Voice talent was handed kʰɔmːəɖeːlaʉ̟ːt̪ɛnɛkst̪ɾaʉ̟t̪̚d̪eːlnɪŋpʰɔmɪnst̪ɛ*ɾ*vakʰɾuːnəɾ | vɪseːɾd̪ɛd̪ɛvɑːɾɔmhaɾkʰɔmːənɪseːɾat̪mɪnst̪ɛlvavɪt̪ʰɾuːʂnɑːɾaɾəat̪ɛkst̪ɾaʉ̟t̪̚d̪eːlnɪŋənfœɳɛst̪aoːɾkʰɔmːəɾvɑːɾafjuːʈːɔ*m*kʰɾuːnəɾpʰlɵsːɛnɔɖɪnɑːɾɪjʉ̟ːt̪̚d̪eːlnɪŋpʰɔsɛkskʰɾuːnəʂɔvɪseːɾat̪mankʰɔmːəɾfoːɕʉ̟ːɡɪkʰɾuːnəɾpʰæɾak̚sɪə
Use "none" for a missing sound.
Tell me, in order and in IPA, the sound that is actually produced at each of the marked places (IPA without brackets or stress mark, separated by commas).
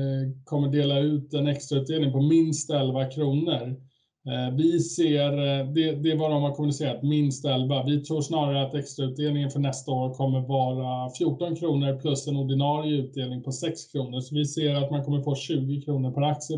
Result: l, n